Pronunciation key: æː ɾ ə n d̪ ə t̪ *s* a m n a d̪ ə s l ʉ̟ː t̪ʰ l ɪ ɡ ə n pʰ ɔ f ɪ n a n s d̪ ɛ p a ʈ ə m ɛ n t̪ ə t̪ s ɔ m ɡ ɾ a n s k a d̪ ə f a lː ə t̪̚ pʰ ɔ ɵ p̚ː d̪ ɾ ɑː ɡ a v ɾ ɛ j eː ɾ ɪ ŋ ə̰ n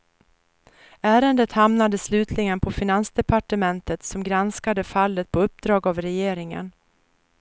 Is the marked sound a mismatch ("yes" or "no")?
yes